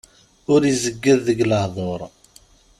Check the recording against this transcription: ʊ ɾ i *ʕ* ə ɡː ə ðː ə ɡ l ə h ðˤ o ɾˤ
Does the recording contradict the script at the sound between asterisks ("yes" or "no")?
yes